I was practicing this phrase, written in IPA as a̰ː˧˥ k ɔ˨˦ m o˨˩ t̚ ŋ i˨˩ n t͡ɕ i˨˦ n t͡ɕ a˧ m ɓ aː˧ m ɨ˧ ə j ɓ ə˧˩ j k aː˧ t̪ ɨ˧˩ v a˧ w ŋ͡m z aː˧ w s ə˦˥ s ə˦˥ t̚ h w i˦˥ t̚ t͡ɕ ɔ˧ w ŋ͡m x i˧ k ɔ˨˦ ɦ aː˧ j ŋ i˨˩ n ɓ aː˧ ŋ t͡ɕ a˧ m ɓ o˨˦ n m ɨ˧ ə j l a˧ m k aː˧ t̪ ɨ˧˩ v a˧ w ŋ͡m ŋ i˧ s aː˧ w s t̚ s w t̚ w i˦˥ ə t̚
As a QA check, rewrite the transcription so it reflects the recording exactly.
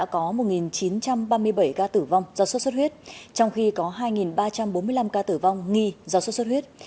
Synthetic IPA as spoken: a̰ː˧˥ k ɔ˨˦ m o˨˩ t̚ ŋ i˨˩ n t͡ɕ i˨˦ n t͡ɕ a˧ m ɓ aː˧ m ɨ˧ ə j ɓ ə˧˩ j k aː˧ t̪ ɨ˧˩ v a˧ w ŋ͡m z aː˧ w s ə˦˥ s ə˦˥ t̚ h w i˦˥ t̚ t͡ɕ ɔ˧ w ŋ͡m x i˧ k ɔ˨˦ ɦ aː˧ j ŋ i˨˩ n ɓ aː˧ t͡ɕ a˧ m ɓ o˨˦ n m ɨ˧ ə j l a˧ m k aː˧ t̪ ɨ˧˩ v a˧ w ŋ͡m ŋ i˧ z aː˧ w s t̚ s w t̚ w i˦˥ ə t̚